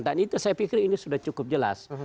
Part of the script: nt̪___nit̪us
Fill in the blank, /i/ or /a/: a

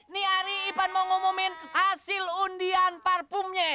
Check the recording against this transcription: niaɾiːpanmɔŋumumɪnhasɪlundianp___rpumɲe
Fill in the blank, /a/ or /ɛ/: a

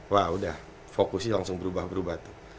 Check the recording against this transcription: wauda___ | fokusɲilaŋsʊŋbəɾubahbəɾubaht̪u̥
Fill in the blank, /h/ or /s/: h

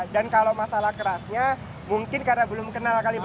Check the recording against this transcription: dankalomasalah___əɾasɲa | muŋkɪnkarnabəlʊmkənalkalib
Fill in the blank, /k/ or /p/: k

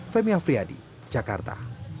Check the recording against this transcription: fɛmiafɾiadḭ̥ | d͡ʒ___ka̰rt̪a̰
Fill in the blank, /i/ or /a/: a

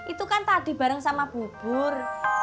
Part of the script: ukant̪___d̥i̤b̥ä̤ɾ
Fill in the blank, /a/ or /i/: a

